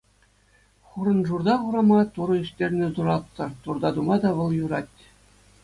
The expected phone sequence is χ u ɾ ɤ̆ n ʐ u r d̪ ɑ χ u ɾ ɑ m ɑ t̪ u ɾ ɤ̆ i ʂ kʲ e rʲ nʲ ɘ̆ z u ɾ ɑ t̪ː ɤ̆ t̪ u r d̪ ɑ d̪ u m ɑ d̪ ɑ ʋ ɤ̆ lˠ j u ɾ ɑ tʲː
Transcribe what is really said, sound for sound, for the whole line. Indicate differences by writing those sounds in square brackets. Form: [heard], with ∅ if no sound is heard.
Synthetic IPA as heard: χ u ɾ ɤ̆ n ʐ u r d̪ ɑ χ u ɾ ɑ m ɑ t̪ u ɾ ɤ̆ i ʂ [tʲ] e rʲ nʲ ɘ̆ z u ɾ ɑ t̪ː ɤ̆ t̪ u r d̪ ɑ d̪ u m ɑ d̪ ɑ ʋ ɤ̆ lˠ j u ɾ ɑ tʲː